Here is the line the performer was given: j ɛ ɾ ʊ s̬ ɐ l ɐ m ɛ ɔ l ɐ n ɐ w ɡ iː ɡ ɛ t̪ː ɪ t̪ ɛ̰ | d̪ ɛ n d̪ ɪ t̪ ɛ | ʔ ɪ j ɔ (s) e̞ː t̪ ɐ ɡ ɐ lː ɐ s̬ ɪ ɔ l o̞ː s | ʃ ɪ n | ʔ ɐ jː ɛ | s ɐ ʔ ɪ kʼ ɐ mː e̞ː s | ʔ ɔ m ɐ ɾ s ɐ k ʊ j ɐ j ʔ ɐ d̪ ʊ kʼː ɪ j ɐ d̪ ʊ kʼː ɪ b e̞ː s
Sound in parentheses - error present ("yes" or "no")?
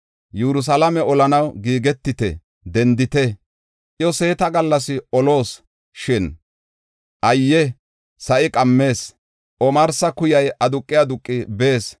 no